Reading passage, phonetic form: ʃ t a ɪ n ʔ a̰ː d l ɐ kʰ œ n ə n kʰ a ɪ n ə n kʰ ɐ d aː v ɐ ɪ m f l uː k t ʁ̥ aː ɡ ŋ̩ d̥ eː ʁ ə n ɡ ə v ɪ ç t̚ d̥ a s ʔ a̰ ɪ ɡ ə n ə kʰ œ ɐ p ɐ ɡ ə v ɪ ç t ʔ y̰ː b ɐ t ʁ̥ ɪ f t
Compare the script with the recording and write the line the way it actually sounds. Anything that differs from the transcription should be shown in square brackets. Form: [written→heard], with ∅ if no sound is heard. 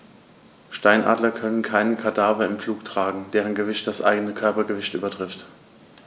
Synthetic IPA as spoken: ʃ t a ɪ n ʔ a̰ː d l ɐ kʰ œ n ə n kʰ a ɪ n ə n kʰ [ɐ→a] d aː v ɐ ɪ m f l uː k t ʁ̥ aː ɡ ŋ̩ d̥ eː ʁ ə n ɡ ə v ɪ ç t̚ d̥ a s ʔ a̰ ɪ ɡ ə n ə kʰ œ ɐ p ɐ ɡ ə v ɪ ç t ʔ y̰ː b ɐ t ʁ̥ ɪ f t